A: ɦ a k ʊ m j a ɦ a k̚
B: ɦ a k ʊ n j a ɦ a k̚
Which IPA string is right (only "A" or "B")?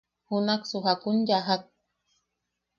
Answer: B